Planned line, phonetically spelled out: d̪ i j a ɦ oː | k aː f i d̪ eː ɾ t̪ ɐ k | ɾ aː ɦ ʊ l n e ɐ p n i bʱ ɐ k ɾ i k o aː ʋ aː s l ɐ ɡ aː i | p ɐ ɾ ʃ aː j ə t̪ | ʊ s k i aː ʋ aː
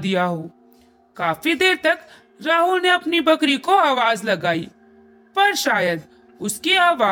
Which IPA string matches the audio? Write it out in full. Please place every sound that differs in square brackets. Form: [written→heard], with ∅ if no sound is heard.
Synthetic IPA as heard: d̪ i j a ɦ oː | k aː f i d̪ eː ɾ t̪ ɐ k | ɾ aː ɦ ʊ l n e ɐ p n i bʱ ɐ k ɾ i k o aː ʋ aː [s→z] l ɐ ɡ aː i | p ɐ ɾ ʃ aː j ə [t̪→d̪] | ʊ s k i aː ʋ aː